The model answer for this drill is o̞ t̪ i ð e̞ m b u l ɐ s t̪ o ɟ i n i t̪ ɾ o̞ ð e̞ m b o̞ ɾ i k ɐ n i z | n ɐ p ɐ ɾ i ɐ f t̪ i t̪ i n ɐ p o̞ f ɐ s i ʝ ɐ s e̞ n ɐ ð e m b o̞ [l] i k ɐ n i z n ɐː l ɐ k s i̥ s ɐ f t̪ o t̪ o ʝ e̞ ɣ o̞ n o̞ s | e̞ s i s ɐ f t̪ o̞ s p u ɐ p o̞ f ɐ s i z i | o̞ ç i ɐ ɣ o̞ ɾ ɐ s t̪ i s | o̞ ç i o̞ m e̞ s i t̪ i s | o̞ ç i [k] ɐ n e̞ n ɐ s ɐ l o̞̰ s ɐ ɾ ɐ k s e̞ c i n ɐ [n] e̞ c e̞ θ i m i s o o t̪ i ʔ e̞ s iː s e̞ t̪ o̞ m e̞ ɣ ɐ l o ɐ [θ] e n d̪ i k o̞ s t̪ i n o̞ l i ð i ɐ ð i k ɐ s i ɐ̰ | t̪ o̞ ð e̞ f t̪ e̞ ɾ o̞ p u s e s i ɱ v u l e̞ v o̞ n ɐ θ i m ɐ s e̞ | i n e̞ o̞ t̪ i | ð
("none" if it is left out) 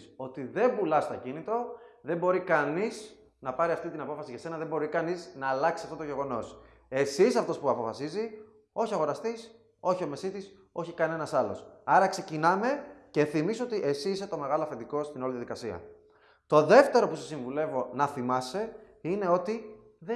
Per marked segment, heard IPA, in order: ɾ, k, m, f

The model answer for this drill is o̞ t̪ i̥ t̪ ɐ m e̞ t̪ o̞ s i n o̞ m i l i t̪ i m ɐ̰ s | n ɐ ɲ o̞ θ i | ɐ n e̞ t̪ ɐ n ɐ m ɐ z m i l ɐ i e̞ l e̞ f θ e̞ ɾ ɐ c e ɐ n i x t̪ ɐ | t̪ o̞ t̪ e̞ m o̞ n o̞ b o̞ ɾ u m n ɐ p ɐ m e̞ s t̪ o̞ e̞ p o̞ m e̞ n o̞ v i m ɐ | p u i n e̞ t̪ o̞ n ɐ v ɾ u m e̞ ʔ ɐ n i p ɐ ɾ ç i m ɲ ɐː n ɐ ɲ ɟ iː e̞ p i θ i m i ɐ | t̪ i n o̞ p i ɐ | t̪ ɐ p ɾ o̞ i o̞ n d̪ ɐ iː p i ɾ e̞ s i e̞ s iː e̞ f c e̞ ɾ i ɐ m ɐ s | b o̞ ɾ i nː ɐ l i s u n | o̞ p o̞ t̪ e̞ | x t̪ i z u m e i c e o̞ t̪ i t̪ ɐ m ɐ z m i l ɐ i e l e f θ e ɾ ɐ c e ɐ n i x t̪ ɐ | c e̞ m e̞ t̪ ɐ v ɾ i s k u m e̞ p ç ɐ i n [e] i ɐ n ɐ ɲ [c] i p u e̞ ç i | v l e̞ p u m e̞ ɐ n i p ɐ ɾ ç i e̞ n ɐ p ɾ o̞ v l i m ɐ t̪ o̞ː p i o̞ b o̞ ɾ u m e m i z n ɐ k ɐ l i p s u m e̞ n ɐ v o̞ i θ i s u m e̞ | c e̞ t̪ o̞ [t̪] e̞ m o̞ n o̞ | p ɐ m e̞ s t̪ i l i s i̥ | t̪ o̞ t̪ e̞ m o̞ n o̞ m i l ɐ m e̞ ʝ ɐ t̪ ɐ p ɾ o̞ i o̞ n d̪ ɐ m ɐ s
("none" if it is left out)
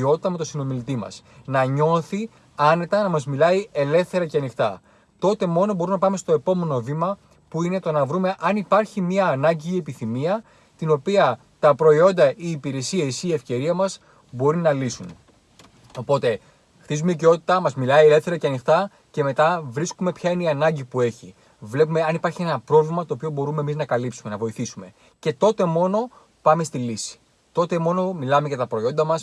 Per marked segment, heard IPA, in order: e, ɟ, t̪

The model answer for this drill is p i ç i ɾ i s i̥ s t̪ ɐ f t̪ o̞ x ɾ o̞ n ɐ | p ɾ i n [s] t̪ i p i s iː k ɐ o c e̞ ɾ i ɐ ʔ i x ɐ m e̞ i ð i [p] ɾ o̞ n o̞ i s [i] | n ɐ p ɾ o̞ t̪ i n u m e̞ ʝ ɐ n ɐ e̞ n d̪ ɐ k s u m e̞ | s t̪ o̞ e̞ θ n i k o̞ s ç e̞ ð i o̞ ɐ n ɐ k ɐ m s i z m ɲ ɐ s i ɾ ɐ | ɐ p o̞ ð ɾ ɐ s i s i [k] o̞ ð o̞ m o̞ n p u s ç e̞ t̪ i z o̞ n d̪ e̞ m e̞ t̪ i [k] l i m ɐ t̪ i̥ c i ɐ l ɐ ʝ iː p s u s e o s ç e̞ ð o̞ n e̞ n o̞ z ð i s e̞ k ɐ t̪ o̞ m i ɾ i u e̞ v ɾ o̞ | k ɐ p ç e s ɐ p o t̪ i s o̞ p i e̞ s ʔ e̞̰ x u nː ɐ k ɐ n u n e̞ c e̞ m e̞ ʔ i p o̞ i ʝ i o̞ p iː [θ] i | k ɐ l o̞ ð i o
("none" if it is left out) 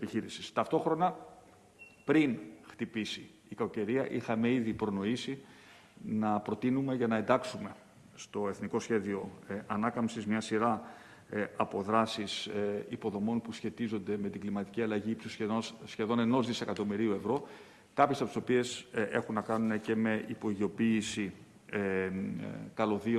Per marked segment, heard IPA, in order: x, p, i, p, ɡ, s

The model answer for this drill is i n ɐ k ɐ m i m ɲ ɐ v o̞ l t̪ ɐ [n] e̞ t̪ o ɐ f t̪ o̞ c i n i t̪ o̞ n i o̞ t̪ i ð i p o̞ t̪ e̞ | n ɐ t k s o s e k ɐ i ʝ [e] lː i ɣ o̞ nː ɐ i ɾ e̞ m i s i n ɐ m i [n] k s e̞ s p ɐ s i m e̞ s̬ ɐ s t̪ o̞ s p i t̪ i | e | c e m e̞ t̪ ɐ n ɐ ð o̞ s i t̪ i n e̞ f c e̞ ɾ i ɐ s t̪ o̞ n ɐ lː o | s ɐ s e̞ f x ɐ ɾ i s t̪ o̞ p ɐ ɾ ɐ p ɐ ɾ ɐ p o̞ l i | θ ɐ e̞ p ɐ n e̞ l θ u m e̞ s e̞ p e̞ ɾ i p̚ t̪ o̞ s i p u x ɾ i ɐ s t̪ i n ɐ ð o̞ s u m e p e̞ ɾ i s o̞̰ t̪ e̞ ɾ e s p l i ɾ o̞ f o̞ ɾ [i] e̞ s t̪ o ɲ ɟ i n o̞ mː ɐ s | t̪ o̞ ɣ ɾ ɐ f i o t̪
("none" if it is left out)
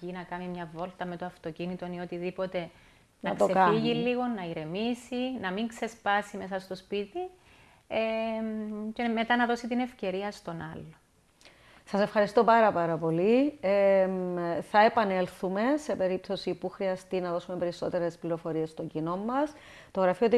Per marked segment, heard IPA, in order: m, i, ŋ, i

